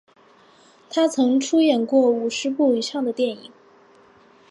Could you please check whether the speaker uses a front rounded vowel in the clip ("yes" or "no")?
no